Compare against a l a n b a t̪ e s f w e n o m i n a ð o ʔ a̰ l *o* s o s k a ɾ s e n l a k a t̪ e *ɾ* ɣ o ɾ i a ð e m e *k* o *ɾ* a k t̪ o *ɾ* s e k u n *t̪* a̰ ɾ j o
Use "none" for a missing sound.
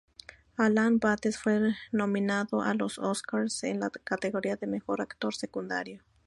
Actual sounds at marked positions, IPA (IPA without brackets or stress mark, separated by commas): o, none, x, ɾ, ɾ, d̪